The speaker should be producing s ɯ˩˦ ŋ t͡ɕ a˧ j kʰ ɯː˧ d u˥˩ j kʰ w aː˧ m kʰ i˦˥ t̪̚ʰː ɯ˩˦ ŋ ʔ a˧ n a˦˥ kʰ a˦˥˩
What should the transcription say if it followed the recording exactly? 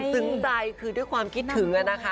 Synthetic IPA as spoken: s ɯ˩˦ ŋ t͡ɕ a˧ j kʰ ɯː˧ d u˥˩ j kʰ w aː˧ m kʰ i˦˥ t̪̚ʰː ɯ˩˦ ŋ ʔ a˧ n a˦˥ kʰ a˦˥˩